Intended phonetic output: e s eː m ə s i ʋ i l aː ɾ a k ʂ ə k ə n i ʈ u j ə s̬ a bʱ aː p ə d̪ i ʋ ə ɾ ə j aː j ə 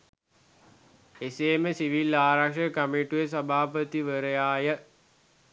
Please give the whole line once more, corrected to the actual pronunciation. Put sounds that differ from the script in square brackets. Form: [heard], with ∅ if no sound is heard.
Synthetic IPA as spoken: e s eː m ə s i ʋ i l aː ɾ a k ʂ ə k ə [m] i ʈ u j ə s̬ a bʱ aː p ə [t̪] i ʋ ə ɾ ə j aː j ə